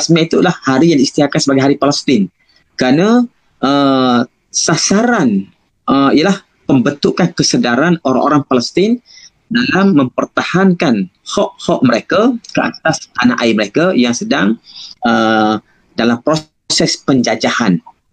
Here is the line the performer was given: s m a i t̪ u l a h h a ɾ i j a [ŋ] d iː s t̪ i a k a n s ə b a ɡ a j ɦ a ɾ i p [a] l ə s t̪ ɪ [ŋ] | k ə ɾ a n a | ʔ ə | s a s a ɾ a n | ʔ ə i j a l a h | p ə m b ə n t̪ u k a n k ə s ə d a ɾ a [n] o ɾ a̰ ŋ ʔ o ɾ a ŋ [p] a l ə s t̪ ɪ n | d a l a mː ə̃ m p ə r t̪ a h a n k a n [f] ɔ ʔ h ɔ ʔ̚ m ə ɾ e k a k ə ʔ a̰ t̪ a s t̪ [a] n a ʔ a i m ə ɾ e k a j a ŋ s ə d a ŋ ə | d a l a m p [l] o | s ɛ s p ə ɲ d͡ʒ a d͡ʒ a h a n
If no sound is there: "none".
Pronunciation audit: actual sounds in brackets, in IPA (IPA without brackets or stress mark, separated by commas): ŋ, a, n, n, p, h, a, ɾ